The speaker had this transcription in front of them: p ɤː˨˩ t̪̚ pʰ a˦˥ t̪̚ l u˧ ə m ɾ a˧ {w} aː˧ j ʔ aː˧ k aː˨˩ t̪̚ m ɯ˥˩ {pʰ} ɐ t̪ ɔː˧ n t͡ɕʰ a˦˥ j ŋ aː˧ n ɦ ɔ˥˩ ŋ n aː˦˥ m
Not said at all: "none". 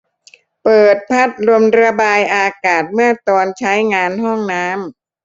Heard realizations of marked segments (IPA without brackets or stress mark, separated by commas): b, none